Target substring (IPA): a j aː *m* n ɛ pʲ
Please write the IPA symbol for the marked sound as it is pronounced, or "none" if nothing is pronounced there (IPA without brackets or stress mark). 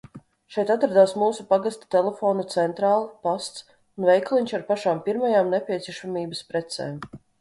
m